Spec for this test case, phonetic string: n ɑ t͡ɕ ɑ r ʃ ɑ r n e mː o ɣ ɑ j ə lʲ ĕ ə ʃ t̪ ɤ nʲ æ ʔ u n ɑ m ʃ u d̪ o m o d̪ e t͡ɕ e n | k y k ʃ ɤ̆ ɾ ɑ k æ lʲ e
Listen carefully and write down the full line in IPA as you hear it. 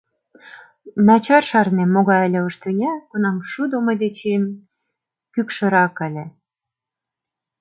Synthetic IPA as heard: n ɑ t͡ɕ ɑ r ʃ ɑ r n e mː o ɣ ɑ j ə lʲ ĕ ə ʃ t̪ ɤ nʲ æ k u n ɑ m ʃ u d̪ o m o d̪ e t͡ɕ e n | k y k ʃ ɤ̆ ɾ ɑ k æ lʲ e